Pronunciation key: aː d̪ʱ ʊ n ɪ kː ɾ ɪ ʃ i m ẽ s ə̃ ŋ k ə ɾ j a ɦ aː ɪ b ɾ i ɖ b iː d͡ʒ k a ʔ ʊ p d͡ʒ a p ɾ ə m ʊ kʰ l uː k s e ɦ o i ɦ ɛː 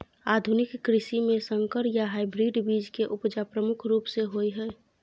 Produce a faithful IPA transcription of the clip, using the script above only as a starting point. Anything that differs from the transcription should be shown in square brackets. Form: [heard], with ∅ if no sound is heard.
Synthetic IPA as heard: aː d̪ʱ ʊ n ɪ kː ɾ ɪ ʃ i m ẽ s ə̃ ŋ k ə ɾ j a ɦ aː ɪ b ɾ i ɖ b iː d͡ʒ k [e] ʔ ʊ p d͡ʒ a p ɾ ə m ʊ kʰ [ɾ] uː [p] s e ɦ o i ɦ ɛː